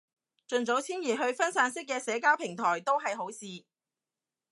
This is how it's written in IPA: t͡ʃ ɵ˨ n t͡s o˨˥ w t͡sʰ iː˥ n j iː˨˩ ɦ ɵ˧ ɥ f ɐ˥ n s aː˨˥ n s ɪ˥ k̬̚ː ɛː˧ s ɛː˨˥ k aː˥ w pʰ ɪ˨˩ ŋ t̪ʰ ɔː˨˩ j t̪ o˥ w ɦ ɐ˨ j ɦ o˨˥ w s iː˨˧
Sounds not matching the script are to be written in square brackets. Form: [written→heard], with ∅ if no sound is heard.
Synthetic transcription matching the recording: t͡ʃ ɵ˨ n t͡s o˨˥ w t͡sʰ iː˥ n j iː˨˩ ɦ ɵ˧ ɥ f ɐ˥ n s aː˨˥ n s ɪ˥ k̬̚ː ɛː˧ s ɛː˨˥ k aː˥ w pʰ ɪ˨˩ ŋ t̪ʰ ɔː˨˩ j t̪ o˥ w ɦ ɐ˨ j ɦ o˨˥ w s iː˨˧